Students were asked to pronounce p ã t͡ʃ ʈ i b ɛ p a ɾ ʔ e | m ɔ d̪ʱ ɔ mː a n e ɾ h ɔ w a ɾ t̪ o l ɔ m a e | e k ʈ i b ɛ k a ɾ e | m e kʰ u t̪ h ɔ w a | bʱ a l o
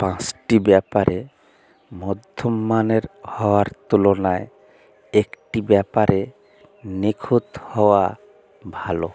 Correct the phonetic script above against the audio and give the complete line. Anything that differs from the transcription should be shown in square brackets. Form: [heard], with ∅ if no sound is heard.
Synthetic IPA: p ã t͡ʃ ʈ i b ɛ p a ɾ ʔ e | m ɔ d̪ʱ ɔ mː a n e ɾ h ɔ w a ɾ t̪ [u] l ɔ [n] a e | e k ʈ i b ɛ [p] a ɾ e | [n] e kʰ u t̪ h ɔ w a | bʱ a l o